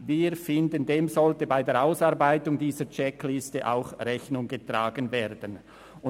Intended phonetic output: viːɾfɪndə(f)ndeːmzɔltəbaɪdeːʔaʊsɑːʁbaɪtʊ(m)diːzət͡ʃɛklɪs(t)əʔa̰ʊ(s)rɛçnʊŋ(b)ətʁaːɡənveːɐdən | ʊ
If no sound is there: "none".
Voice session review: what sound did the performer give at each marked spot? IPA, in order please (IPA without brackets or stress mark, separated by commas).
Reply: none, ŋ, t, x, ɡ